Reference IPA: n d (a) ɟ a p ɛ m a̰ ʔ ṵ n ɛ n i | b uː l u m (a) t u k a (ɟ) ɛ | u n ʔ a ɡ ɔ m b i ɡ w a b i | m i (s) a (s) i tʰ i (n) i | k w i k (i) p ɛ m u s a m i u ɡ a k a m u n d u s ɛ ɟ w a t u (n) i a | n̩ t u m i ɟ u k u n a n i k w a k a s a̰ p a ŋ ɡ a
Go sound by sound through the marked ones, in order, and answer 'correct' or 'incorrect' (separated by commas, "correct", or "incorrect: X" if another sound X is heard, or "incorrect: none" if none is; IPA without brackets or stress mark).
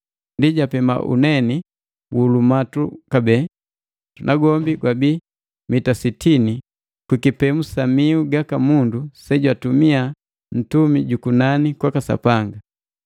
incorrect: i, correct, incorrect: b, incorrect: t, correct, correct, correct, incorrect: m